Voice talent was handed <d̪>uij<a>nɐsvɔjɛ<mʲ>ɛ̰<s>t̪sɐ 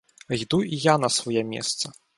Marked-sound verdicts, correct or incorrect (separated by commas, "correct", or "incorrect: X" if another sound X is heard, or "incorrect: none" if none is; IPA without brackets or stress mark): correct, correct, correct, correct